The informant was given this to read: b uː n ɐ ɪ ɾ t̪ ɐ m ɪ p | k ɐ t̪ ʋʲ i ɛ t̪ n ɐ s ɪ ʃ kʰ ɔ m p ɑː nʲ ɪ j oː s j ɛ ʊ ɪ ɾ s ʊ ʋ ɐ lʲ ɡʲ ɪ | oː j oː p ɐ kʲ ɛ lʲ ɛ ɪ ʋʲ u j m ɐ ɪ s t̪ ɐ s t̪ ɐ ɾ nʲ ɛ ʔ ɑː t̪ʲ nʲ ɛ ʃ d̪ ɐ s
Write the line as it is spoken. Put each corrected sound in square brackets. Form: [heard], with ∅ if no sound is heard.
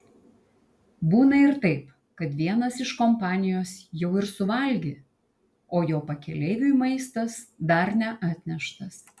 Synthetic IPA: b uː n ɐ ɪ ɾ t̪ ɐ [∅] ɪ p | k ɐ t̪ ʋʲ i ɛ [∅] n ɐ s ɪ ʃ [k] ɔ m p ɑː nʲ ɪ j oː s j ɛ ʊ ɪ ɾ s ʊ ʋ ɐ lʲ ɡʲ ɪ | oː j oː p ɐ kʲ ɛ lʲ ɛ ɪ ʋʲ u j m ɐ ɪ s t̪ ɐ s [d̪] ɐ ɾ nʲ ɛ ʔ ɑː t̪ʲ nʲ ɛ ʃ [t̪] ɐ s